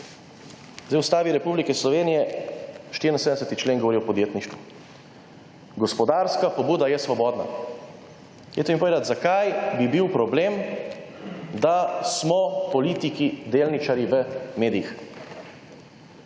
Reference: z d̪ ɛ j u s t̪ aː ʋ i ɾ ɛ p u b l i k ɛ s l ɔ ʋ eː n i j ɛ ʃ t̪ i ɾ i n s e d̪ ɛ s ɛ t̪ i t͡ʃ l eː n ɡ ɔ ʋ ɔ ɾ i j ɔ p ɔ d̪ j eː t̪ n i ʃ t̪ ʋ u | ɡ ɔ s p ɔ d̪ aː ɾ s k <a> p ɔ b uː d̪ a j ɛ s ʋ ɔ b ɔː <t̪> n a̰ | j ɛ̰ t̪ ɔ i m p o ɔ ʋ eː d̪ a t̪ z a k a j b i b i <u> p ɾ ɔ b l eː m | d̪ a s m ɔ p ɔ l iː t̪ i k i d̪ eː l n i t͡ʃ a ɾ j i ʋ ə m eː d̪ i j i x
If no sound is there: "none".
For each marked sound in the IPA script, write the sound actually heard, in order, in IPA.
a, d̪, w

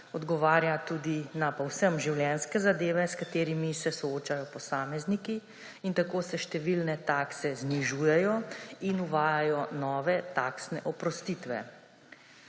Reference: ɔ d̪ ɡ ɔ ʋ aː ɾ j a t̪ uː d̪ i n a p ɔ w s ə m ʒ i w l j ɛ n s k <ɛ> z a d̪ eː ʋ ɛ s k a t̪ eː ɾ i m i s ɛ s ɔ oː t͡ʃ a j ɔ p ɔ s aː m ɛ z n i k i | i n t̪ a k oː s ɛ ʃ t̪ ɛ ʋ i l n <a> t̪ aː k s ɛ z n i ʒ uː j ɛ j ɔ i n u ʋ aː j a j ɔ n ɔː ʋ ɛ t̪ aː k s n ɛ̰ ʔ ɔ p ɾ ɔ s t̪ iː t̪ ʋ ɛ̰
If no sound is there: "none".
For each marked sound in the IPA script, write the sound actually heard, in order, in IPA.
ɛ, ɛ

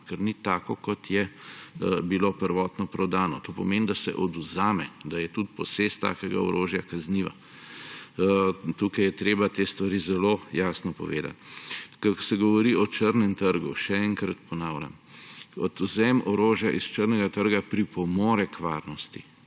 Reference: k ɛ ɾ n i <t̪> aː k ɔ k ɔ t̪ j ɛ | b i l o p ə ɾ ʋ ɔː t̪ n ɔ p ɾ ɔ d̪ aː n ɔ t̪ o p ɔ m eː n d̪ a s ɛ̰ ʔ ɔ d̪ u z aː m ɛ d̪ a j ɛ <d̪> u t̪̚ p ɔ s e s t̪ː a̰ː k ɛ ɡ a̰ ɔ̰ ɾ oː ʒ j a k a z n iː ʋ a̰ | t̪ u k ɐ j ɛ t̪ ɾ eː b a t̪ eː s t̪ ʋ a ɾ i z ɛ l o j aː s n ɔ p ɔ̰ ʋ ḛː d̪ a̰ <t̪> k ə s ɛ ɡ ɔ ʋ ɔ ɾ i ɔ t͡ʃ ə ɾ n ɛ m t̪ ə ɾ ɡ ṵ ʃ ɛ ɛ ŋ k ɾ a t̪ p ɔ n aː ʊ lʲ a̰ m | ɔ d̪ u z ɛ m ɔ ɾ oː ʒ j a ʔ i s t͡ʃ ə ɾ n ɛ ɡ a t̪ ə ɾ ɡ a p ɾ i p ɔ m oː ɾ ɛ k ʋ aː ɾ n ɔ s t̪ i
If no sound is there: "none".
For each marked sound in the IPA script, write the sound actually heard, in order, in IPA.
t̪, t̪, t̪

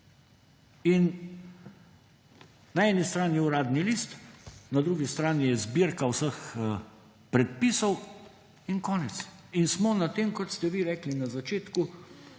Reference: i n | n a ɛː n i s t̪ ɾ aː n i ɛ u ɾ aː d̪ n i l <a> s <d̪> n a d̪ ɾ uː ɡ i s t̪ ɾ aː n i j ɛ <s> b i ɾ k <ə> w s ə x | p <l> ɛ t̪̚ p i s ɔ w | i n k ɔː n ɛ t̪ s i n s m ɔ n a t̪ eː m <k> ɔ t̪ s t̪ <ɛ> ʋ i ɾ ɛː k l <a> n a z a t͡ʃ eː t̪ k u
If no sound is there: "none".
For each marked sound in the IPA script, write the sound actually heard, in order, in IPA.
i, t̪, z, a, ɾ, k, ɛ, i

